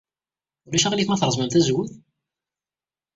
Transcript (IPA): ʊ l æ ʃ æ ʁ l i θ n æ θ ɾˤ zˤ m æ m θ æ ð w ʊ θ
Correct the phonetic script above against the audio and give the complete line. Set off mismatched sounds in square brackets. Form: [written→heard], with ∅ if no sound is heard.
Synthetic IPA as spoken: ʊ l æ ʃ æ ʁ l i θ [n→m] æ θ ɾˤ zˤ m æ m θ æ [ð→z] w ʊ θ